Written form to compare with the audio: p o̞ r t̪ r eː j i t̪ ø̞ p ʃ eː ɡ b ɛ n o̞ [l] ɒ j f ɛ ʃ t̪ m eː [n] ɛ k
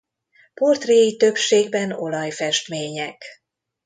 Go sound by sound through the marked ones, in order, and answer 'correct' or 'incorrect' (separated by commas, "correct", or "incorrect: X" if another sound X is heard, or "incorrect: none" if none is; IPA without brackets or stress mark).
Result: correct, incorrect: ɲ